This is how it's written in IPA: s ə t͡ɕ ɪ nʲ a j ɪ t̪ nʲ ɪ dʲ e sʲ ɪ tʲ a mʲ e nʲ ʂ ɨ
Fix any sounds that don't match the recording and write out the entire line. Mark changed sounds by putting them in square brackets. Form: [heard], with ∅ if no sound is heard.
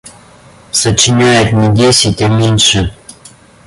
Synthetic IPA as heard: s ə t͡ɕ ɪ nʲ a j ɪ t̪ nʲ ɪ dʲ e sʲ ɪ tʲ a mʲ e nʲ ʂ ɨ